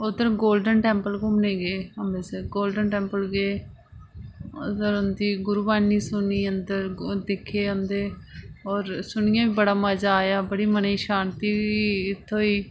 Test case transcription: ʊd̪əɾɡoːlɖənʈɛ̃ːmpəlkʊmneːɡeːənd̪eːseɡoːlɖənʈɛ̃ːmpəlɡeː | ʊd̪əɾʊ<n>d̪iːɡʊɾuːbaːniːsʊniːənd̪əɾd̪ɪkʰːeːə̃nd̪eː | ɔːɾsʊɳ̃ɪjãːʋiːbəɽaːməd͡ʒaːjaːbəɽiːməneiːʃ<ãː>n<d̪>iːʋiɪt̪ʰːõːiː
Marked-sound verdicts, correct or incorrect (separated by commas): correct, incorrect, incorrect